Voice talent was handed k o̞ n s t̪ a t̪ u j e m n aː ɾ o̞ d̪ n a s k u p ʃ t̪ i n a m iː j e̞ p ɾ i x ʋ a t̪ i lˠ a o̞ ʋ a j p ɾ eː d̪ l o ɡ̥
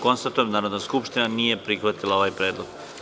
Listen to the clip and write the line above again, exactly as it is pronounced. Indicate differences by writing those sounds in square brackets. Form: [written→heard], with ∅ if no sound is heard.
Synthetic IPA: k o̞ n s t̪ a t̪ u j e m n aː ɾ o̞ d̪ n a s k u p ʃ t̪ i n a [m→n] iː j e̞ p ɾ i x ʋ a t̪ i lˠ a o̞ ʋ a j p ɾ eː d̪ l o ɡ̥